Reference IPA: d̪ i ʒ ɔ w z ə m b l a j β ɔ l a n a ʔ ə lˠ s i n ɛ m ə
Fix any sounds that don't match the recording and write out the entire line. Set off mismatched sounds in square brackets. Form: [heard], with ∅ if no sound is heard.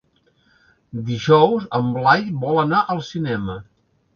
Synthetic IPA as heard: d̪ i ʒ ɔ w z ə m b l a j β ɔ l [ə] n a ʔ ə lˠ s i n ɛ m ə

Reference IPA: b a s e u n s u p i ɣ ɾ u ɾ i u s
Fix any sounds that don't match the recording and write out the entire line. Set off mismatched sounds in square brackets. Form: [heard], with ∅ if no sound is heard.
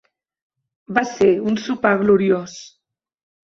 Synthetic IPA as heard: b a s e u n s u p [a] ɣ [l] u ɾ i [o] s

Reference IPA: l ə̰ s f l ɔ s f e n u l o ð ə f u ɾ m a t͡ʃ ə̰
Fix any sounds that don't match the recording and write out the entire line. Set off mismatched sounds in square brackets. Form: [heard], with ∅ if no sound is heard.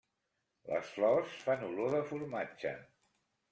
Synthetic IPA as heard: l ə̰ s f l ɔ s f [a] n u l o ð ə f u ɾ m a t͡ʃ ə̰

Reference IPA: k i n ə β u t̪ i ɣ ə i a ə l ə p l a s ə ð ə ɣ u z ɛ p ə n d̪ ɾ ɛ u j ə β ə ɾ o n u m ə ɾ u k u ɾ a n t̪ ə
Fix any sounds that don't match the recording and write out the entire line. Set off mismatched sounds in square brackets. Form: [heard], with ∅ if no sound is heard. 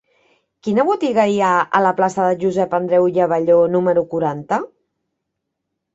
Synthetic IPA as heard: k i n ə β u t̪ i ɣ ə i a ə l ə p l a s ə ð ə [ʒ] u z ɛ p ə n d̪ ɾ ɛ [w] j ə β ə [ʎ] o n u m ə ɾ u k u ɾ a n t̪ ə

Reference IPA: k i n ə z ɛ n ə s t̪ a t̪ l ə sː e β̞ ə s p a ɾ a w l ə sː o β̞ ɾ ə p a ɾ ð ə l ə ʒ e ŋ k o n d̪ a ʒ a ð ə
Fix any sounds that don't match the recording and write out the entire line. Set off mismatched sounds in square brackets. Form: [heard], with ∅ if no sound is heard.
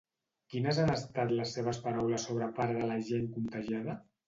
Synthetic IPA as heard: k i n ə z [a] n ə s t̪ a t̪ l ə sː e β̞ ə s p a ɾ a w l ə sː o β̞ ɾ ə p a ɾ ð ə l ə ʒ e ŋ k [u] n [t̪] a ʒ a ð ə

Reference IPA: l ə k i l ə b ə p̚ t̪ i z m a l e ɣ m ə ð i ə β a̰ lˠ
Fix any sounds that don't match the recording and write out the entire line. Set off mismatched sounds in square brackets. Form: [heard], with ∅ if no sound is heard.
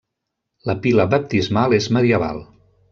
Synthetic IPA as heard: l ə [p] i l ə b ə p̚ t̪ i z m a l e [z] m ə ð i ə β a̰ lˠ

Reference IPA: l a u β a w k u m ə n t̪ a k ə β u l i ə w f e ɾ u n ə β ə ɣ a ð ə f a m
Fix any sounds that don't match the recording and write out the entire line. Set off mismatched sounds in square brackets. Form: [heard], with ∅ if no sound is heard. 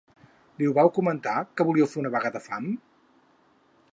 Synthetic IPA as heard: l [i] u β a w k u m ə n t̪ a k ə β u l i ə w f e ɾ u n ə β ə ɣ a ð ə f a m

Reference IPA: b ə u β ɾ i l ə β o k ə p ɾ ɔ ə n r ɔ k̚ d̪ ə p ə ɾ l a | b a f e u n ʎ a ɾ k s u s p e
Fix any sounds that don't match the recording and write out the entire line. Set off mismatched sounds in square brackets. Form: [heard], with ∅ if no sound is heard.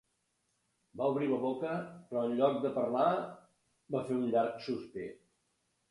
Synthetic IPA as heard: b [a] u β ɾ i l ə β o k ə p ɾ ɔ ə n [ʎ] ɔ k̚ d̪ ə p ə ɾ l a | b a f e u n ʎ a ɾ k s u s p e

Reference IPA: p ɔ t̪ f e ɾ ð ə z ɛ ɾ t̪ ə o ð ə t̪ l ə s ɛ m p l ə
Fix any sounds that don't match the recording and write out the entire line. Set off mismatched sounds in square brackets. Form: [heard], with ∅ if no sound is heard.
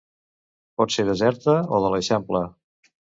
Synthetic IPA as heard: p ɔ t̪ [s] e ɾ ð ə z ɛ ɾ t̪ ə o ð ə [∅] l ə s ɛ m p l ə

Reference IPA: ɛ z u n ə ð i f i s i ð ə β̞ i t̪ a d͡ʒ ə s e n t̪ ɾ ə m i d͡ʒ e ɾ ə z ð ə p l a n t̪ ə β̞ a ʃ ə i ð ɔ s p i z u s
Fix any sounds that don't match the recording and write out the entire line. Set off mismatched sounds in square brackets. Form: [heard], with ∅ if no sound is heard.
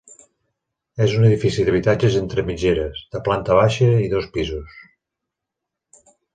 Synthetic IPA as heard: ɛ z u n ə ð i f i s i ð ə β̞ i t̪ a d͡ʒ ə [z] e n t̪ ɾ ə m i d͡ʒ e ɾ ə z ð ə p l a n t̪ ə β̞ a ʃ ə i ð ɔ s p i z u s

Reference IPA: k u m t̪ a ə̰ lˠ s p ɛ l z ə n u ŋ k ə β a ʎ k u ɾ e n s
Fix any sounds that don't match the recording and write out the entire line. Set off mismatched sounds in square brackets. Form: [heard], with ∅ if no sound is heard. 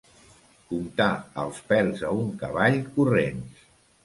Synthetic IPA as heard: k u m t̪ a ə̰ lˠ s p ɛ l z ə [∅] u ŋ k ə β a ʎ k u [r] e n s

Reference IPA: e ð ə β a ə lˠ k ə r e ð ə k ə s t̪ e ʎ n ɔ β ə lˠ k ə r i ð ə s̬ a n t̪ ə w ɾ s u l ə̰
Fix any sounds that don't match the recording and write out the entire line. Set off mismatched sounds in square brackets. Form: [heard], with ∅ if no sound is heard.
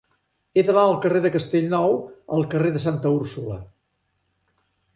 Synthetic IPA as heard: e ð ə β a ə lˠ k ə r e ð ə k ə s t̪ e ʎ n ɔ [w] ə lˠ k ə r [e] ð ə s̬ a n t̪ ə [u] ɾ s u l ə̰

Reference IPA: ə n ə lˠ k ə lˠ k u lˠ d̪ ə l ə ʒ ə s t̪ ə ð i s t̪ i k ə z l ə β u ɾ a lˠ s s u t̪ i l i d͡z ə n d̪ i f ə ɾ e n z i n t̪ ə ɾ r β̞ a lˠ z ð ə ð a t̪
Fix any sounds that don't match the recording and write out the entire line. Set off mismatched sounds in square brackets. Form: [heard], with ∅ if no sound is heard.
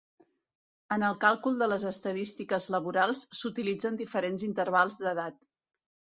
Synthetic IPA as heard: ə n ə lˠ k [a] lˠ k u lˠ d̪ ə l ə [z] ə s t̪ ə ð i s t̪ i k ə z l ə β u ɾ a lˠ s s u t̪ i l i d͡z ə n d̪ i f ə ɾ e n z i n t̪ ə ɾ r β̞ a lˠ z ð ə ð a t̪

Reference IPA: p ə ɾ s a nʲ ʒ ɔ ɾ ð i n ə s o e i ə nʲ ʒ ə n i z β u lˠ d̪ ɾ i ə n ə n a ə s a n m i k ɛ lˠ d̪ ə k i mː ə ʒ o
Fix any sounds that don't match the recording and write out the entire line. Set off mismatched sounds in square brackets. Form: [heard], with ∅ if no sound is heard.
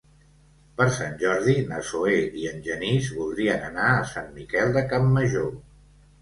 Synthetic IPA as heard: p ə ɾ s a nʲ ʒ ɔ ɾ ð i n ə s o e i ə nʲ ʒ ə n i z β u lˠ d̪ ɾ i ə n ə n a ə s a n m i k ɛ lˠ d̪ ə k [a] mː ə ʒ o

